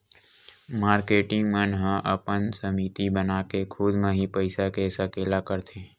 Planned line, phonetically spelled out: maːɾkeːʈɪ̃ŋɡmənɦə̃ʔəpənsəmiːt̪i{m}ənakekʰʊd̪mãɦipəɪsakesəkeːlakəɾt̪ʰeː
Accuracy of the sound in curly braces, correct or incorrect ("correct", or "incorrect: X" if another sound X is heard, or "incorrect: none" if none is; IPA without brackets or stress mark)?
incorrect: b